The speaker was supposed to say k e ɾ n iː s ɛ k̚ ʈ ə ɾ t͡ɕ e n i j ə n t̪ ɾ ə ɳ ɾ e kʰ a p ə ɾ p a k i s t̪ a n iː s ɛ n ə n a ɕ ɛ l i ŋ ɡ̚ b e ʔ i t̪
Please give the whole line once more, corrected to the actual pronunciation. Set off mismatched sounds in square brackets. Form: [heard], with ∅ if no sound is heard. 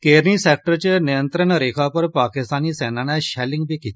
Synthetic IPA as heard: k e ɾ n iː s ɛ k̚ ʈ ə ɾ t͡ɕ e n i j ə n t̪ ɾ ə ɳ ɾ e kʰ a p ə ɾ p a k i s t̪ a n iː s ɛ n [a] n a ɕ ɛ l i ŋ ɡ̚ b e [k] i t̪